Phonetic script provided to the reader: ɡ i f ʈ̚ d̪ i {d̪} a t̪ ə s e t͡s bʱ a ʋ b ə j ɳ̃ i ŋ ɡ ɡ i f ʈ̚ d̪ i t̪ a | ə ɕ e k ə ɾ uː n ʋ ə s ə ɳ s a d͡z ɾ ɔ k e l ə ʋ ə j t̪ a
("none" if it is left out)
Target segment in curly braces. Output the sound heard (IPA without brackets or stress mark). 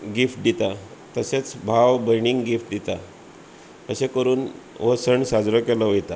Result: t̪